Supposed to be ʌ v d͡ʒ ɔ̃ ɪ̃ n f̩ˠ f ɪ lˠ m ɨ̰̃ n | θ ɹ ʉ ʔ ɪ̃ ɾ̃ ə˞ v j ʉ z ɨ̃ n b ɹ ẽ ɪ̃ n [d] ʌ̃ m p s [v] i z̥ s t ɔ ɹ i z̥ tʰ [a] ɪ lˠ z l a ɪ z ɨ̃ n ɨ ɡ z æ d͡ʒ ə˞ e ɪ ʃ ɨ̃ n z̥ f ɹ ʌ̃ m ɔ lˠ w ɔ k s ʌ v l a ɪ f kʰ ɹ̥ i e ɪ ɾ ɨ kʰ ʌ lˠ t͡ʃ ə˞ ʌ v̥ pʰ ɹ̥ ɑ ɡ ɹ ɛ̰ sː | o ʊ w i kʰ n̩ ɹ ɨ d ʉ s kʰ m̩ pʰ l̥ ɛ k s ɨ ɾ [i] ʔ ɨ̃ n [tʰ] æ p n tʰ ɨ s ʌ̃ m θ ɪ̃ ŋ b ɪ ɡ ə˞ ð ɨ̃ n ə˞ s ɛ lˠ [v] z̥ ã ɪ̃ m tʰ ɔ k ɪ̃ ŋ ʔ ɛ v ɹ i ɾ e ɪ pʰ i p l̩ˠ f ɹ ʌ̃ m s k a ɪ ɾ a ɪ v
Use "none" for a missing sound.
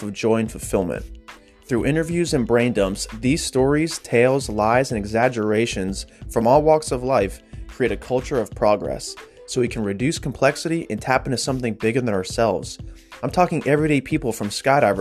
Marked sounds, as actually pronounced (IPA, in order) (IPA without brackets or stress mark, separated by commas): d, ð, e, i, tʰ, v